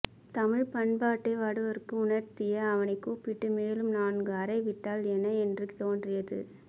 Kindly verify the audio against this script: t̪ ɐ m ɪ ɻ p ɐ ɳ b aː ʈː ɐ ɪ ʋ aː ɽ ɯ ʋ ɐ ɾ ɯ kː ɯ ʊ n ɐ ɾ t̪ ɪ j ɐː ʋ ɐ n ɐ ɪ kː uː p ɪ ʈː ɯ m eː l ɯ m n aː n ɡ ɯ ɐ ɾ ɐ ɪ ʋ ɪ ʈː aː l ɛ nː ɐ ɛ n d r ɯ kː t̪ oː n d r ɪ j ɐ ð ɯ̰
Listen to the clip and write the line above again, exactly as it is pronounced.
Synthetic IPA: t̪ ɐ m ɪ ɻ p ɐ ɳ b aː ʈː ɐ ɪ ʋ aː ɽ ɯ ʋ ɐ ɾ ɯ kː ɯ ʊ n ɐ ɾ t̪ ɪ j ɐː ʋ ɐ n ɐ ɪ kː uː p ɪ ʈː ɯ m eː l ɯ m n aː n ɡ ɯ ɐ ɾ ɐ ɪ ʋ ɪ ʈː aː l ɛ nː ɐ ɛ n d r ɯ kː t̪ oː n d r ɪ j ɐ ð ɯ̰

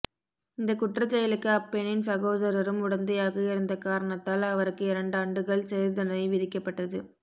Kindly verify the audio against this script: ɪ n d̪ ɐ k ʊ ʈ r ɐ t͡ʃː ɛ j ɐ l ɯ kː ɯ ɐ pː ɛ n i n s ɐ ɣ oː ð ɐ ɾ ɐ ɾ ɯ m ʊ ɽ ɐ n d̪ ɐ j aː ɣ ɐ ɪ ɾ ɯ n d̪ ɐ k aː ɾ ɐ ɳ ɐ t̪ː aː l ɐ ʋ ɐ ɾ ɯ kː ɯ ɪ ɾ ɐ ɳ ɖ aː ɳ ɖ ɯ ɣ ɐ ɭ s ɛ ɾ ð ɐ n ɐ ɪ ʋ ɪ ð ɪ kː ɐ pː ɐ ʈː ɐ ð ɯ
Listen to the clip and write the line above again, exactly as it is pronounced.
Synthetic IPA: ɪ n d̪ ɐ k ʊ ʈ r ɐ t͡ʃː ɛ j ɐ l ɯ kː ɯ ɐ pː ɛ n ɪ n s ɐ ɣ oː ð ɐ ɾ ɐ ɾ ɯ m ʊ ɽ ɐ n d̪ ɐ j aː ɣ ɐ ɪ ɾ ɯ n d̪ ɐ k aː ɾ ɐ ɳ ɐ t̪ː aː l ɐ ʋ ɐ ɾ ɯ kː ɯ ɪ ɾ ɐ ɳ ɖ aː ɳ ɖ ɯ ɣ ɐ ɭ s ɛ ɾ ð ɐ n ɐ ɪ ʋ ɪ ð ɪ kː ɐ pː ɐ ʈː ɐ ð ɯ

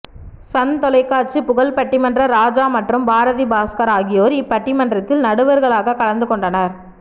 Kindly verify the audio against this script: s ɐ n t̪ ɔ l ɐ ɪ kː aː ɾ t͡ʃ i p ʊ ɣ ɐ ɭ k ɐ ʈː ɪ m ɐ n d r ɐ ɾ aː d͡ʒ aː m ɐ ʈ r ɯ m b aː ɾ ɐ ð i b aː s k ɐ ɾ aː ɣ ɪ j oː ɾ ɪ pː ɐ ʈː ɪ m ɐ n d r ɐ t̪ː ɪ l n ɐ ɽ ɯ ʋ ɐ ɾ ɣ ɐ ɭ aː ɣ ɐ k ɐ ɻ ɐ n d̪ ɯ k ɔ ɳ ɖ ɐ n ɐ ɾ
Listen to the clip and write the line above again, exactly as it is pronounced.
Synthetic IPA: s ɐ n t̪ ɔ l ɐ ɪ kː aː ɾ t͡ʃ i p ʊ ɣ ɐ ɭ p ɐ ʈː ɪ m ɐ n d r ɐ ɾ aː d͡ʒ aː m ɐ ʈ r ɯ m b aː ɾ ɐ ð i b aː s k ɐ ɾ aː ɣ ɪ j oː ɾ ɪ pː ɐ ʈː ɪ m ɐ n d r ɐ t̪ː ɪ l n ɐ ɽ ɯ ʋ ɐ ɾ ɣ ɐ ɭ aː ɣ ɐ k ɐ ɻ ɐ n d̪ ɯ k ɔ ɳ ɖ ɐ n ɐ ɾ

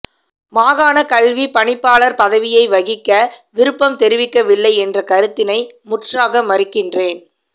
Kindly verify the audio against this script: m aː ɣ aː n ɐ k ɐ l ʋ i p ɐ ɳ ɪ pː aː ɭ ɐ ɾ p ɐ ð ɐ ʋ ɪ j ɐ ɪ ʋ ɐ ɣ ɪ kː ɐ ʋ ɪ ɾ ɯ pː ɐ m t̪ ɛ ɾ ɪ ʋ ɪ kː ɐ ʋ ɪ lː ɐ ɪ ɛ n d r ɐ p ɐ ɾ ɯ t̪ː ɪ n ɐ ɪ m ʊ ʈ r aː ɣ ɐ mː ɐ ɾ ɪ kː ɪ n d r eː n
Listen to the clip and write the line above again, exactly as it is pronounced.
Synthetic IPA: m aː ɣ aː n ɐ k ɐ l ʋ i p ɐ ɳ ɪ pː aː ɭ ɐ ɾ p ɐ ð ɐ ʋ ɪ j ɐ ɪ ʋ ɐ ɣ ɪ kː ɐ ʋ ɪ ɾ ɯ pː ɐ m t̪ ɛ ɾ ɪ ʋ ɪ kː ɐ ʋ ɪ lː ɐ ɪ ɛ n d r ɐ k ɐ ɾ ɯ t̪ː ɪ n ɐ ɪ m ʊ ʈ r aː ɣ ɐ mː ɐ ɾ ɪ kː ɪ n d r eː n

